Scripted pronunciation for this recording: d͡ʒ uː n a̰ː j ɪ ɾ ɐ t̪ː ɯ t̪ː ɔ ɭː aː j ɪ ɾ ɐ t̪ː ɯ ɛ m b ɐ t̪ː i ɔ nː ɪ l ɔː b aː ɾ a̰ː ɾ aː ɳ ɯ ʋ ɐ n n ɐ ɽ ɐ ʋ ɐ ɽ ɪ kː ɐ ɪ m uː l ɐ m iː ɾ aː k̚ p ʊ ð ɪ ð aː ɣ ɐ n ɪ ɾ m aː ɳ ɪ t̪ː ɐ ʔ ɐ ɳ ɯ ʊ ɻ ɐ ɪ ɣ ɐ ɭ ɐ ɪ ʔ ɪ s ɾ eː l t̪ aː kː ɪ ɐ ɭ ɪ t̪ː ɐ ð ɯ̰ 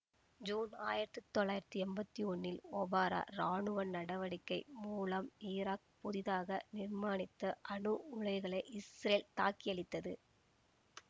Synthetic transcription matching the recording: d͡ʒ uː n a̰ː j ɪ ɾ ɐ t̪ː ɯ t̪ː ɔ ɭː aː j ɪ ɾ ɐ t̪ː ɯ ɛ m b ɐ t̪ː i ɔ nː ɪ l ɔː b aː ɾ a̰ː ɾ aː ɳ ɯ ʋ ɐ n n ɐ ɽ ɐ ʋ ɐ ɽ ɪ kː ɐ ɪ m uː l ɐ m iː ɾ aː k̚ p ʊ ð ɪ ð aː ɣ ɐ n ɪ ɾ m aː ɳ ɪ t̪ː ɐ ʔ ɐ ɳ ɯ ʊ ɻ ɐ ɪ ɣ ɐ ɭ ɐ ɪ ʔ ɪ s ɾ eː l t̪ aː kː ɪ ɐ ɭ ɪ t̪ː ɐ ð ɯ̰